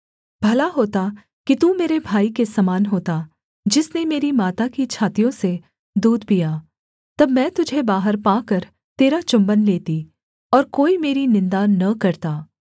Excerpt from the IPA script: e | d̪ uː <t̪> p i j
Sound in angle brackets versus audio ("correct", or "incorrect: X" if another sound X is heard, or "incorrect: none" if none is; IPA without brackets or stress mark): incorrect: d̪